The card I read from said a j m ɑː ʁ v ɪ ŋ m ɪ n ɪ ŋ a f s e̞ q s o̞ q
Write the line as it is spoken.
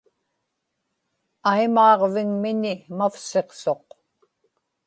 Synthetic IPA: a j m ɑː ʁ v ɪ ŋ m ɪ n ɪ m a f s e̞ q s o̞ q